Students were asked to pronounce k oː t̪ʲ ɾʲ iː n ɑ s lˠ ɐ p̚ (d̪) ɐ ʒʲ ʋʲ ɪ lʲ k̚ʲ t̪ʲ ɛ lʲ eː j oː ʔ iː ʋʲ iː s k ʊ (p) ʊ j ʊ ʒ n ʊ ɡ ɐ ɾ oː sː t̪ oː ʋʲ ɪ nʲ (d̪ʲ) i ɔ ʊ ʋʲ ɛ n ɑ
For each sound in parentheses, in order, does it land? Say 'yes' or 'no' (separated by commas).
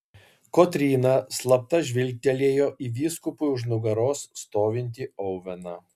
no, yes, no